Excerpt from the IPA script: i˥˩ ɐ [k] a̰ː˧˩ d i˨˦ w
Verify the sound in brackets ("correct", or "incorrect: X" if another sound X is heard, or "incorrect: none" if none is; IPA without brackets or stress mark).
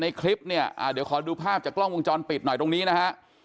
incorrect: ʔ